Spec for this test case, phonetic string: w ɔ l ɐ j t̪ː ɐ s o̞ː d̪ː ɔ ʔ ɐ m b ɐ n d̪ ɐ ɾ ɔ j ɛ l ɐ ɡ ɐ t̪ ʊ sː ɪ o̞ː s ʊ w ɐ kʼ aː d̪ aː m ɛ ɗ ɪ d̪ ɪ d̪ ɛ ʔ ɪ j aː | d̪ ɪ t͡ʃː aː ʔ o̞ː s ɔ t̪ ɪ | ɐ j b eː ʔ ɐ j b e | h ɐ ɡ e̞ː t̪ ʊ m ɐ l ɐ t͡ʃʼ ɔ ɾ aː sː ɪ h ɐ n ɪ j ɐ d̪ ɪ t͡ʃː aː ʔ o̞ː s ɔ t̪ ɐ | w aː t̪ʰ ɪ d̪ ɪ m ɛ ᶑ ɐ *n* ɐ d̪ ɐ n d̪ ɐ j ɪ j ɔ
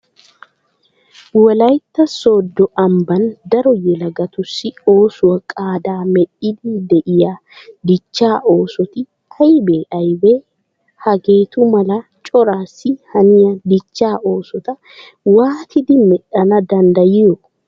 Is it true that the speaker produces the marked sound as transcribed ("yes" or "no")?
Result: yes